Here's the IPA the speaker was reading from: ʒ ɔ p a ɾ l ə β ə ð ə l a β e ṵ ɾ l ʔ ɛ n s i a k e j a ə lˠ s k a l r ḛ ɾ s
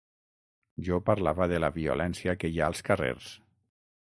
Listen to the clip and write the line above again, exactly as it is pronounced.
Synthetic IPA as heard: ʒ ɔ p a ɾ l a β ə ð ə l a β i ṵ l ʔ ɛ n s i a k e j a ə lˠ s k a r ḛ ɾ s